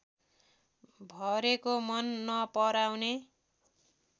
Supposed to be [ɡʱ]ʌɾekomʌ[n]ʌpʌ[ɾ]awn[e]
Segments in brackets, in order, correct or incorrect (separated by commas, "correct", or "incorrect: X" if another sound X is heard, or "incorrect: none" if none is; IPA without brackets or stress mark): incorrect: bʱ, incorrect: nː, correct, correct